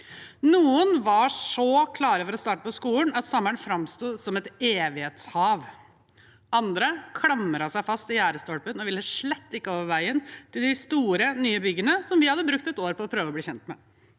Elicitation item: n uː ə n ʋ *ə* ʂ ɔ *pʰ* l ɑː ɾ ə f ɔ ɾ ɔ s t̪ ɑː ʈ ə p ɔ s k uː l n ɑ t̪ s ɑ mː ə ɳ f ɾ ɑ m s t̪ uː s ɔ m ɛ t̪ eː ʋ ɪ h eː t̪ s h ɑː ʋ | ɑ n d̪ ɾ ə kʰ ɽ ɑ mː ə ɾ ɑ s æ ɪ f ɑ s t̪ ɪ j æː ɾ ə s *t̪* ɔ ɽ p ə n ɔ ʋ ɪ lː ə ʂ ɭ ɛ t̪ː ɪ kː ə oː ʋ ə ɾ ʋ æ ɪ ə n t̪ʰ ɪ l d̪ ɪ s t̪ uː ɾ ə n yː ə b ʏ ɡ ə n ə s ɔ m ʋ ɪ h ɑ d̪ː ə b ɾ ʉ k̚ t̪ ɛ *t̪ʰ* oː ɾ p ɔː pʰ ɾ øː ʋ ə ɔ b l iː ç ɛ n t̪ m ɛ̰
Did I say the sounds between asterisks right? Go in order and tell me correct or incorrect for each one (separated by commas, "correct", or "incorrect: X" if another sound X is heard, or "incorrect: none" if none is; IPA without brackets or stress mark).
incorrect: ɑ, incorrect: kʰ, correct, incorrect: t̪